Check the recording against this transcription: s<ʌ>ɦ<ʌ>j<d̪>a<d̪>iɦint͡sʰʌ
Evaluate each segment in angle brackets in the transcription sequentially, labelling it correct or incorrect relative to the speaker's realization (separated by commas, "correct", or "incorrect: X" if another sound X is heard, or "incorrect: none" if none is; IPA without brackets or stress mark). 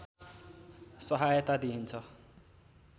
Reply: correct, incorrect: a, incorrect: t̪, correct